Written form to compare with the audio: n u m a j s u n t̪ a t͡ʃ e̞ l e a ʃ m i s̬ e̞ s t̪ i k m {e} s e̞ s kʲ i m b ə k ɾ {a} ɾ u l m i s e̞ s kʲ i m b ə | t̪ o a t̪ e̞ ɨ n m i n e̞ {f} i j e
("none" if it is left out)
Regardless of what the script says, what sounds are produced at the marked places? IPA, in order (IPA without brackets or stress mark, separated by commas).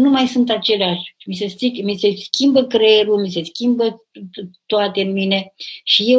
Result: i, e, ʃ